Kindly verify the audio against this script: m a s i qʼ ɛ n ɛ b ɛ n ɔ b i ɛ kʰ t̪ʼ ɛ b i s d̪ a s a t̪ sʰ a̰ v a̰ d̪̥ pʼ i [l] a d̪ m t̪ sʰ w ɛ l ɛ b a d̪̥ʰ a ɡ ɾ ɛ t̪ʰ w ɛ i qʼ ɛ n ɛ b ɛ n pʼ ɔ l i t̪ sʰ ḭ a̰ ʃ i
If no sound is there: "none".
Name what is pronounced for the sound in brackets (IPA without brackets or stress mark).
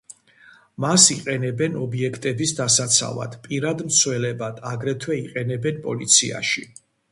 ɾ